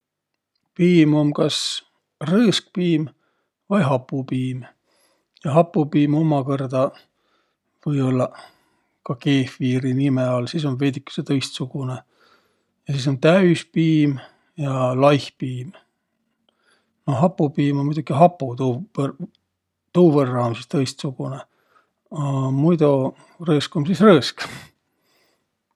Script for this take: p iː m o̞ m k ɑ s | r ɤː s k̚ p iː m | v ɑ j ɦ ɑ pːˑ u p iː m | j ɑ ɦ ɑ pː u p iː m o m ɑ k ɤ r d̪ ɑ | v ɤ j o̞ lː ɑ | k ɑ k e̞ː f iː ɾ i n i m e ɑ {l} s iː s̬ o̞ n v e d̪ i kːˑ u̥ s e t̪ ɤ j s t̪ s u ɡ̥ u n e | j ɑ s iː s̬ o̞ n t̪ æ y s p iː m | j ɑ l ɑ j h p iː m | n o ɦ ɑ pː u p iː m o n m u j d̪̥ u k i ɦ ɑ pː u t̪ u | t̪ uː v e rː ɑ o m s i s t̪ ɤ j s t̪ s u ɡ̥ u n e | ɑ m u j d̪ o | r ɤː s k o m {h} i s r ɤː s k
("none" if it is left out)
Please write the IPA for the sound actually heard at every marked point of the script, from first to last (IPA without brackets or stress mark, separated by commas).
l, s